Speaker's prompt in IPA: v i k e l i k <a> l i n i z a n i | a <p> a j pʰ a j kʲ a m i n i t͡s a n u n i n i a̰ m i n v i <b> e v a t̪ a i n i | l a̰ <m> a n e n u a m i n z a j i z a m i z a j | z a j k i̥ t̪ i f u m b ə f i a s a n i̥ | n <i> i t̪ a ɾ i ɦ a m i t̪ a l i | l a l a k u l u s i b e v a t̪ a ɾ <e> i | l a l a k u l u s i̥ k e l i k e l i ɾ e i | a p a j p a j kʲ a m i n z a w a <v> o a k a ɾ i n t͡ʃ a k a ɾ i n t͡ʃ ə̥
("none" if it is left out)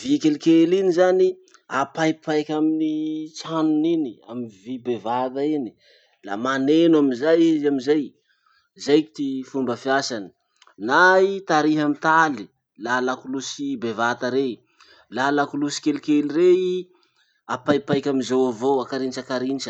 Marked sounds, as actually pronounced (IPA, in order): e, p, b, m, a, e, v

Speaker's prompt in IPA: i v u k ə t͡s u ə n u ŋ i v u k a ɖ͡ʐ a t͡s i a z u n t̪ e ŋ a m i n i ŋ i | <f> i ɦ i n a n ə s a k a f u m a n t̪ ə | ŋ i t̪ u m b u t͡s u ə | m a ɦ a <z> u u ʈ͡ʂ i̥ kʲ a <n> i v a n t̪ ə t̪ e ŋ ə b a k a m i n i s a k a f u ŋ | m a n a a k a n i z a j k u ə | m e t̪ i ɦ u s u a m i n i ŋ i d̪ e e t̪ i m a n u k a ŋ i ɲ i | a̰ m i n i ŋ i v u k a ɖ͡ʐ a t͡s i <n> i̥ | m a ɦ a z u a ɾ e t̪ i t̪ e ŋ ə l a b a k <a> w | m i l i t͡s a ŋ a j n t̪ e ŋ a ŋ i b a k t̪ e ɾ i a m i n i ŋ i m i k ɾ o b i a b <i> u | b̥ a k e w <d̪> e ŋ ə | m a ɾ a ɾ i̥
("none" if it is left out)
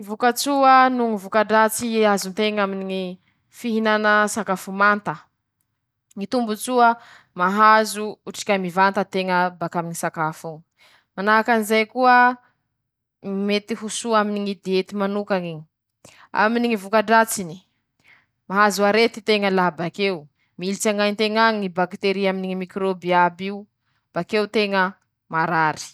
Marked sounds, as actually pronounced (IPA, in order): f, z, m, n, e, i, t̪

